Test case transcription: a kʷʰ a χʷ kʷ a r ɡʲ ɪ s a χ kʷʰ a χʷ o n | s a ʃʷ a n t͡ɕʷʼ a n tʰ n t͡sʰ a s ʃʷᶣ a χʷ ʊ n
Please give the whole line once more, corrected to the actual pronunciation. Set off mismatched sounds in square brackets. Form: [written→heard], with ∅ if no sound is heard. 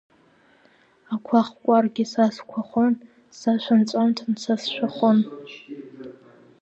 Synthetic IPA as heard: a kʷʰ a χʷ [kʷ→kʷʼ] a r ɡʲ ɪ s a [χ→s] kʷʰ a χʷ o n | s a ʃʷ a n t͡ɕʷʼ a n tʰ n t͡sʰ a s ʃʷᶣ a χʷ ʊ n